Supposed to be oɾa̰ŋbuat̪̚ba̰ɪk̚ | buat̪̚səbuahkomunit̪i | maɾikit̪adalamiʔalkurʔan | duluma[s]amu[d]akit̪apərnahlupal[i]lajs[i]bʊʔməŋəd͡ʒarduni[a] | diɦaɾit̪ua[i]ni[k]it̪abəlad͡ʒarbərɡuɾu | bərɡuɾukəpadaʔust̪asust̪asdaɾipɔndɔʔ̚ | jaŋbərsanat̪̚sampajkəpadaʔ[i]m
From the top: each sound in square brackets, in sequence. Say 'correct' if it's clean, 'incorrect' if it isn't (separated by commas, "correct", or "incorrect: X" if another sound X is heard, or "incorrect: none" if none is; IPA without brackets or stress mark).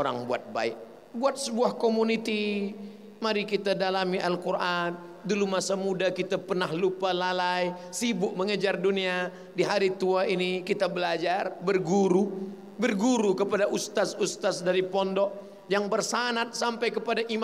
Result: correct, correct, incorrect: a, correct, correct, correct, correct, correct